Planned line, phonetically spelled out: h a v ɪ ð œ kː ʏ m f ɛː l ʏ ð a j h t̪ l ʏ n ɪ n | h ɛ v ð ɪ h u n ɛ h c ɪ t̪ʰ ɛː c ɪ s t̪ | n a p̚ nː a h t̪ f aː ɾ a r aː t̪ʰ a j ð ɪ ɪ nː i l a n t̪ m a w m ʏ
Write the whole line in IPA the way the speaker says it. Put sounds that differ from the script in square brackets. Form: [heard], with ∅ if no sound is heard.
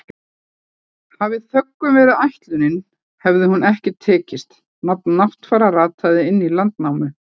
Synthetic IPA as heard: h a v ɪ [θ] œ kː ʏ m [v] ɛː [ɾ] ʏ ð a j h t̪ l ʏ n ɪ n | h ɛ v ð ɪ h u n ɛ h c ɪ t̪ʰ ɛː c ɪ s t̪ | n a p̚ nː a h t̪ f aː ɾ a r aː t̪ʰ a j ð ɪ ɪ nː i l a n t̪ [n] a w m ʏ